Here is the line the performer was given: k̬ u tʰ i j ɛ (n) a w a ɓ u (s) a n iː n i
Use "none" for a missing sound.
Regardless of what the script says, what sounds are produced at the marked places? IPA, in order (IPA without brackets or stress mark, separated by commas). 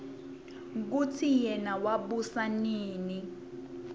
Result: n, s